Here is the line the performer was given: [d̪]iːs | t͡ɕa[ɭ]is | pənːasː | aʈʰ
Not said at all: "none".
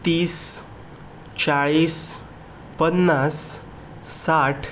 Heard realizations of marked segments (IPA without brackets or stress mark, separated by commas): t̪, ɭ